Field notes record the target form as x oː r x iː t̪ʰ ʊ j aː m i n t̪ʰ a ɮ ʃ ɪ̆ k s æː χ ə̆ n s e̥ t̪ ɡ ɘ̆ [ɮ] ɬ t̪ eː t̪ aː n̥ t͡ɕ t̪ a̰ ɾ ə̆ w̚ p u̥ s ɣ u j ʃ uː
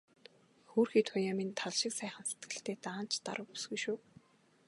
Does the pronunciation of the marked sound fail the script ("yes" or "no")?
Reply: yes